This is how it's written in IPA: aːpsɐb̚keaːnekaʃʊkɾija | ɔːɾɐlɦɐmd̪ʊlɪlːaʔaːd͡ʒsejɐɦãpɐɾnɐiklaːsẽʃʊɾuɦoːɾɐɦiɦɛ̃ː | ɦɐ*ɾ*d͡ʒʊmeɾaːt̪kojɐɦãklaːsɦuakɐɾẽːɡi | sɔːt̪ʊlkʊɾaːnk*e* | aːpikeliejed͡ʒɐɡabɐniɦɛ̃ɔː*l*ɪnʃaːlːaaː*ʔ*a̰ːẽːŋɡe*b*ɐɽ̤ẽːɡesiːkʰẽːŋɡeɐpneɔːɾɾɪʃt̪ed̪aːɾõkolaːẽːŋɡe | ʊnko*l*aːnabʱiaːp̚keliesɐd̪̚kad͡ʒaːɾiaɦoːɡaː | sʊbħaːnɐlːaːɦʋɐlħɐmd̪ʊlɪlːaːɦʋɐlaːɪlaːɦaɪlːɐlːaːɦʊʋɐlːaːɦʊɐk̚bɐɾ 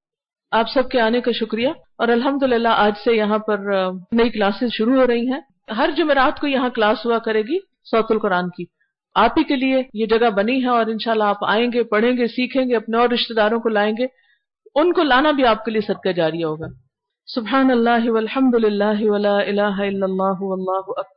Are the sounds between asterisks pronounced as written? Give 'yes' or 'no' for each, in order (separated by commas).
yes, no, no, no, no, yes